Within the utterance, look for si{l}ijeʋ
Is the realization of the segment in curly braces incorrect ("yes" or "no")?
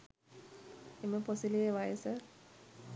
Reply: no